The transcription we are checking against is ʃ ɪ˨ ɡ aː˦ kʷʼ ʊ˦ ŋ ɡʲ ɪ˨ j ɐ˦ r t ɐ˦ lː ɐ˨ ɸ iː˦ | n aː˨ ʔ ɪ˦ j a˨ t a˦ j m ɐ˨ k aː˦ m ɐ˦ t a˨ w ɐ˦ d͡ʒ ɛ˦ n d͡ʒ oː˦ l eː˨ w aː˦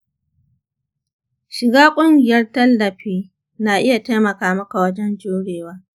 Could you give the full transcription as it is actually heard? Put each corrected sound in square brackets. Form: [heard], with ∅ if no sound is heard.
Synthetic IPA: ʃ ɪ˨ ɡ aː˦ kʷʼ ʊ˦ ŋ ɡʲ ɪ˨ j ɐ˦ r t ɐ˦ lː ɐ˨ ɸ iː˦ | n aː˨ ʔ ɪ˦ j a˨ t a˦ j m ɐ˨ k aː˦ m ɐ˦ [k] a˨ w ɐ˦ d͡ʒ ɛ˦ n d͡ʒ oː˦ [ɽ] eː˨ w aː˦